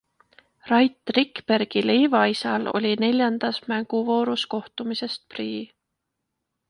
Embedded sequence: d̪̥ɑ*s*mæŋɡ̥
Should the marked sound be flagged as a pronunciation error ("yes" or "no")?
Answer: no